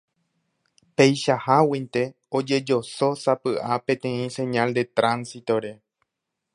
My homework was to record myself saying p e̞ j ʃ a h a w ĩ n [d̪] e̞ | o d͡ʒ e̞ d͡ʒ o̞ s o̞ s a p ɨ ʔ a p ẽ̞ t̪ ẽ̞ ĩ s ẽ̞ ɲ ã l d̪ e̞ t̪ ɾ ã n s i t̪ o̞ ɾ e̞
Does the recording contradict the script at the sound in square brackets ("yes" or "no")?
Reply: yes